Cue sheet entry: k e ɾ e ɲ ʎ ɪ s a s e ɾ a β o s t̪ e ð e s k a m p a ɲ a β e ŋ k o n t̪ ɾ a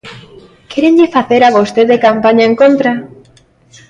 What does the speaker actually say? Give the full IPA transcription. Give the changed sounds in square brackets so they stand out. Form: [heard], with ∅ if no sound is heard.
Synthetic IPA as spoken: k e ɾ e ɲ ʎ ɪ [f] a [θ] e ɾ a β o s t̪ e ð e [∅] k a m p a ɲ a [∅] e ŋ k o n t̪ ɾ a